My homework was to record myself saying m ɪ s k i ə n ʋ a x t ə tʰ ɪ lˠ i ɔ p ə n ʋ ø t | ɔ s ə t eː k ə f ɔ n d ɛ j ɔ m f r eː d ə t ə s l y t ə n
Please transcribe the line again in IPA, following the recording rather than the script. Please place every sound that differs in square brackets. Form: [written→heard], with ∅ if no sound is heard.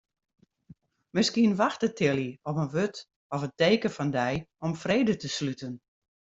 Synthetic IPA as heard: m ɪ s k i ə n ʋ a x t ə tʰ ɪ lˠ i ɔ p ə n ʋ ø t | ɔ [s→f] ə t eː k ə f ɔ n d ɛ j ɔ m f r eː d ə t ə s l y t ə n